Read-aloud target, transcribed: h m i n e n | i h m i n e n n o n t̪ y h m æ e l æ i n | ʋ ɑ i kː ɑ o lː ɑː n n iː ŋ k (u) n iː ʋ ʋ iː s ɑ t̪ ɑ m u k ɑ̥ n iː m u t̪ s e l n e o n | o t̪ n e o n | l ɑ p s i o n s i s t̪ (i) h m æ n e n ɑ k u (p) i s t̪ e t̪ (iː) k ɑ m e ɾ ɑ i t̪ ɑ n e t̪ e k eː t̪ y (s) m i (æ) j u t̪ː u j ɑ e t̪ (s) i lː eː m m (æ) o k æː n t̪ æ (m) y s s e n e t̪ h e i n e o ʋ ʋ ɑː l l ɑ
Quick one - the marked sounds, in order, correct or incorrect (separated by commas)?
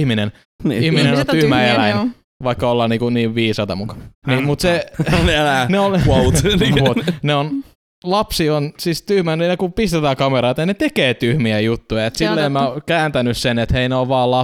correct, incorrect, correct, incorrect, incorrect, correct, correct, correct, incorrect